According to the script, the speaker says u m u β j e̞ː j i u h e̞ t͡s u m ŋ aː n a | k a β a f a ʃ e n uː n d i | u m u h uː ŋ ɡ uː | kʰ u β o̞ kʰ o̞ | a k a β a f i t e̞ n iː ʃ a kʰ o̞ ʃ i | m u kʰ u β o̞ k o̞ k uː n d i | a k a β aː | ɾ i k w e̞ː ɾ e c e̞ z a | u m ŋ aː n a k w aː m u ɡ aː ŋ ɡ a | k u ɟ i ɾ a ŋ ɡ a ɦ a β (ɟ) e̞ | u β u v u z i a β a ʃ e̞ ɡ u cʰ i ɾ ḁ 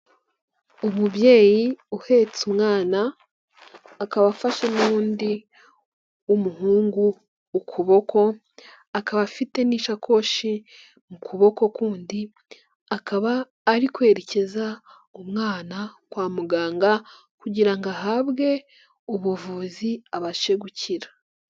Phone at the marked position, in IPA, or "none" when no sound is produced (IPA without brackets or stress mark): ɡ